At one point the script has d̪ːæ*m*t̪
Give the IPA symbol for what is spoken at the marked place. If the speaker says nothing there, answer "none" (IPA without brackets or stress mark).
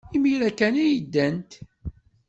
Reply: n